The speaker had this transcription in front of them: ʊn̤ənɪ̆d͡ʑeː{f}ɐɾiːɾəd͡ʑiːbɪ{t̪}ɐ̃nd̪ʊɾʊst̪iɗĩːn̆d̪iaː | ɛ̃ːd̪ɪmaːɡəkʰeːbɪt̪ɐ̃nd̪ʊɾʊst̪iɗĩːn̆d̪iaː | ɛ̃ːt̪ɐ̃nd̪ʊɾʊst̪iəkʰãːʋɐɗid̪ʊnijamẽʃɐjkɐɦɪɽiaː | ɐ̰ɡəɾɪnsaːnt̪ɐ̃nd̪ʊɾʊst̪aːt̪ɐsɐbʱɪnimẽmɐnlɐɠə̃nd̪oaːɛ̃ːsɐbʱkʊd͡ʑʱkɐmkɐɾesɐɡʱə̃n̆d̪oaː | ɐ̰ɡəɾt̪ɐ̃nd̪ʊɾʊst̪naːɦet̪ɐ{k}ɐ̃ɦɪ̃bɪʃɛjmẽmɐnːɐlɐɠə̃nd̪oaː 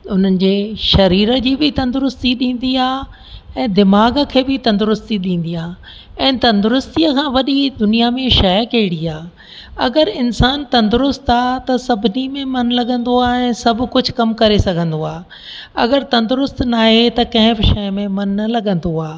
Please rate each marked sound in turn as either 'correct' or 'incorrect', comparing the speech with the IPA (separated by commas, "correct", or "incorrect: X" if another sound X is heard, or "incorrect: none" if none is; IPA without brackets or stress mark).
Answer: incorrect: ʃ, correct, correct